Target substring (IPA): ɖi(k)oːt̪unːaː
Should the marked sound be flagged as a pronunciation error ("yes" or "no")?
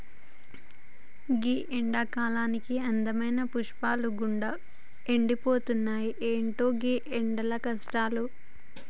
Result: yes